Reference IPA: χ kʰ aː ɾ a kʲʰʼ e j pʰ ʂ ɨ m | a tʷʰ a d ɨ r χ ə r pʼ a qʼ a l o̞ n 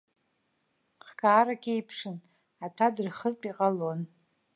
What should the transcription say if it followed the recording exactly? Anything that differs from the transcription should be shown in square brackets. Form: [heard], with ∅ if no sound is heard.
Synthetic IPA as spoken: χ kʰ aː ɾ a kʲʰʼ e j pʰ ʂ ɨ [n] | a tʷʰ a d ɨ r χ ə r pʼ [i] qʼ a l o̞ n